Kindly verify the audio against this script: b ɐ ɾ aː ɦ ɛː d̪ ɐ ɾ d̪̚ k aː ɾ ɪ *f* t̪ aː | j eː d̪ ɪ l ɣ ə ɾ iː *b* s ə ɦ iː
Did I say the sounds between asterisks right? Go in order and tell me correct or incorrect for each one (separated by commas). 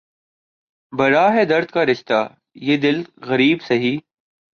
incorrect, correct